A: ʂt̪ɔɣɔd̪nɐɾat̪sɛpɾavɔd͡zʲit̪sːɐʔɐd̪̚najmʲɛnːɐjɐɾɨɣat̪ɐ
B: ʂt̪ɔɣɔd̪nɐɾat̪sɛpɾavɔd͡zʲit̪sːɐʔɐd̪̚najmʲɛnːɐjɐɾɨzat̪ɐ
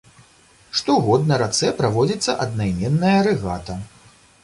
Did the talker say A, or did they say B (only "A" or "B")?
A